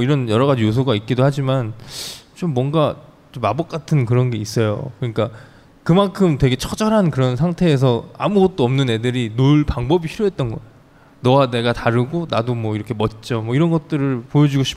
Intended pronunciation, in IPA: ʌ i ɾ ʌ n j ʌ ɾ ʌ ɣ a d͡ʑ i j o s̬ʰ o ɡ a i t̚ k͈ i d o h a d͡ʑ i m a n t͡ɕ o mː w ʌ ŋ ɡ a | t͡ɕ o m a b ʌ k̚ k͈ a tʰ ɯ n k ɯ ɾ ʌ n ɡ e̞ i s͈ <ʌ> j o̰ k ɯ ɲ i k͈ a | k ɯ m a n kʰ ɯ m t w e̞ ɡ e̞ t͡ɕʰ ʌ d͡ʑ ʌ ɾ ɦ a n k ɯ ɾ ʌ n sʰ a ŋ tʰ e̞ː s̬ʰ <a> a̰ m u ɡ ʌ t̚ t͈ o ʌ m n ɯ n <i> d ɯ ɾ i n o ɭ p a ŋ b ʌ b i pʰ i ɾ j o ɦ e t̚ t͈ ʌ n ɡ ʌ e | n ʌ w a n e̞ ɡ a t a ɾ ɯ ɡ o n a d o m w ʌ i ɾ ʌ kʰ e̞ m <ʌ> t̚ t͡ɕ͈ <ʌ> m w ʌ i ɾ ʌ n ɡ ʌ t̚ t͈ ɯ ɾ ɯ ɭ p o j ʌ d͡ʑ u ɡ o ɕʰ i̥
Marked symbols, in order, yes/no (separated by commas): yes, no, no, yes, yes